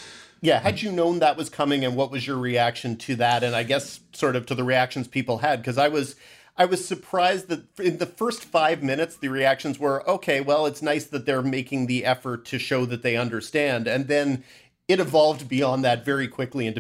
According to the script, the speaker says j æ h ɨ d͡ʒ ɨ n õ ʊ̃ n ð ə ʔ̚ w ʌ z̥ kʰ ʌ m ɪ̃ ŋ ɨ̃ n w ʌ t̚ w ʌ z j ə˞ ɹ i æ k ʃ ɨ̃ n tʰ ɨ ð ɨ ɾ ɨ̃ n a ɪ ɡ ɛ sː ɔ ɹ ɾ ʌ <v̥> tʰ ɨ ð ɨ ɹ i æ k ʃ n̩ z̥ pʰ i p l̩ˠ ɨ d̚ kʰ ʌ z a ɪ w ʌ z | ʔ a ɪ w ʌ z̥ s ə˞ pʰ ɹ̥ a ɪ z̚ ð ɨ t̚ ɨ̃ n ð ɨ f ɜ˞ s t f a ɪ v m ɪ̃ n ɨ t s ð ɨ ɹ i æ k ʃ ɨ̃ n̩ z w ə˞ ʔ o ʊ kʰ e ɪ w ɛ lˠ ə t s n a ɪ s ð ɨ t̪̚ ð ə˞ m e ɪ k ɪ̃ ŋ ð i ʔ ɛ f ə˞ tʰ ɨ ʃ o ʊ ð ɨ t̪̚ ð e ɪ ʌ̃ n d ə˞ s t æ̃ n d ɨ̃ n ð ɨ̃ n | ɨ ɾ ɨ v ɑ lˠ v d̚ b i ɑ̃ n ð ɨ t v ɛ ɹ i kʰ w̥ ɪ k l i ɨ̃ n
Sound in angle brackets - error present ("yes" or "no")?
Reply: no